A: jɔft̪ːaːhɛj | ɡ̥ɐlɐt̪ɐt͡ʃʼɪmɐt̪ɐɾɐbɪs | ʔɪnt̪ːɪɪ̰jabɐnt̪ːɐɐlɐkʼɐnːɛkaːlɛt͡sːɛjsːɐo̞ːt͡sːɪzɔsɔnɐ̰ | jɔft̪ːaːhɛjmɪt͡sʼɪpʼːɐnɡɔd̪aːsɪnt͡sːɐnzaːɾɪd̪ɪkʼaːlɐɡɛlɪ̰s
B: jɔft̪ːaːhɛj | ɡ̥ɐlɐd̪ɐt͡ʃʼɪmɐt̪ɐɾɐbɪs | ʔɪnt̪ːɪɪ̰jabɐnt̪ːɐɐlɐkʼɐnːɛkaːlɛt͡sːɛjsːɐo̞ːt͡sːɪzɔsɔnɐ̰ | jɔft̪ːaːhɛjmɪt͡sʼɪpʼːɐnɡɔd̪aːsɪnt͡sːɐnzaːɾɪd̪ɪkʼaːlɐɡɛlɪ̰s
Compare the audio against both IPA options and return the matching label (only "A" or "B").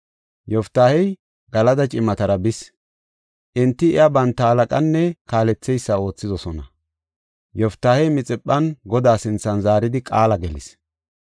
B